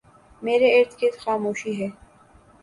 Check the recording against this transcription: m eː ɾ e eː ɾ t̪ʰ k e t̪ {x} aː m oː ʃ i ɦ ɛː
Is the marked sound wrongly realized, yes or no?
no